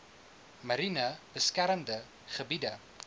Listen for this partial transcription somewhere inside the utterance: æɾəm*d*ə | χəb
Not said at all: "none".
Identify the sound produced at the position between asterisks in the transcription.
d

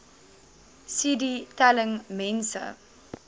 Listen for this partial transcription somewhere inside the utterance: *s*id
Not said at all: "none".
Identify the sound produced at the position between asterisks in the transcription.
s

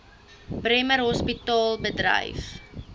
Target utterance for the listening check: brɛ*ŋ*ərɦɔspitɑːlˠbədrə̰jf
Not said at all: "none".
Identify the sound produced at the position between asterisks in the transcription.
m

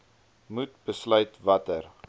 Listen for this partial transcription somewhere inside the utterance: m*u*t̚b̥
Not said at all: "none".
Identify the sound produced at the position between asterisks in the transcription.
u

